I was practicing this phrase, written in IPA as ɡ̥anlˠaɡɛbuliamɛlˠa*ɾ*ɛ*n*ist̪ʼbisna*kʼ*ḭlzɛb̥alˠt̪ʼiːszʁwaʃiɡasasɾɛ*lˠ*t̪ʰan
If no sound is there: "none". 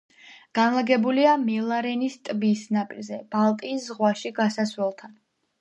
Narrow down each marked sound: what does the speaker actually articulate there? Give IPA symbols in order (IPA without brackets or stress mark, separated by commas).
ɾ, n, pʼ, lˠ